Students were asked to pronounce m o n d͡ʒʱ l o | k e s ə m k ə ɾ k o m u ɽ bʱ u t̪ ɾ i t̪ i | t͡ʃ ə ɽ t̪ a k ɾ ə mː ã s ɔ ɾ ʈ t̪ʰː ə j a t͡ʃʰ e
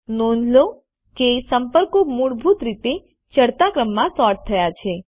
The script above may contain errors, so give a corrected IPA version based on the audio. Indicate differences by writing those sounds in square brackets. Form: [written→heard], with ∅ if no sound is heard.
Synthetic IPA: [m→n] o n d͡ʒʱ l o | k e s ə m [k→p] ə ɾ k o m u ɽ bʱ u t̪ ɾ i t̪ [i→e] | t͡ʃ ə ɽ t̪ a k ɾ ə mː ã s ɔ ɾ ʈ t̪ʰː ə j a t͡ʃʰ e